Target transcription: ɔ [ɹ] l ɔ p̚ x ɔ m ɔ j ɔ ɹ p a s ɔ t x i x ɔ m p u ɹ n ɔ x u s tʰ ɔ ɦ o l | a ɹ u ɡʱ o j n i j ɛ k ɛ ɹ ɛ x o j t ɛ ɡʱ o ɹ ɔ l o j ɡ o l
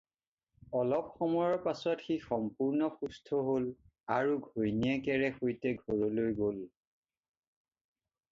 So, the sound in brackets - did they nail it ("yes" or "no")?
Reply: no